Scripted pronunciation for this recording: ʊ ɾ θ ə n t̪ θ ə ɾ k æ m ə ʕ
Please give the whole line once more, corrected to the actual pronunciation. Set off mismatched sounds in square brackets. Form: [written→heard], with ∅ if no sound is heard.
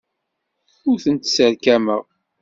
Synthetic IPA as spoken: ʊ ɾ θ ə n t̪ [θ→s] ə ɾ k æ m ə [ʕ→ʁ]